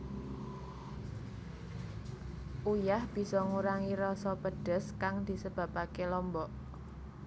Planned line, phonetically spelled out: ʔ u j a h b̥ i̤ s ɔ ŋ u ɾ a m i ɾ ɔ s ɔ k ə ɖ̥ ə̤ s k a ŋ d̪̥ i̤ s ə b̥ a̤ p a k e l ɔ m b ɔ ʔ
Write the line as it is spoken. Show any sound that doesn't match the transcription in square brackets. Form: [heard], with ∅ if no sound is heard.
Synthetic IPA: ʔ u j a h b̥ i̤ s ɔ ŋ u ɾ a [ŋ] i ɾ ɔ s ɔ [p] ə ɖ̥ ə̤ s k a ŋ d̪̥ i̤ s ə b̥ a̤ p a k e l ɔ m b ɔ ʔ